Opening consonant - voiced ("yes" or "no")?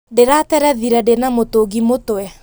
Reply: yes